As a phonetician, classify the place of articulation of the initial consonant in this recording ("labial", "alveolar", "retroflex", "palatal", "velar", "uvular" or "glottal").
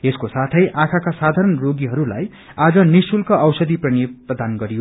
alveolar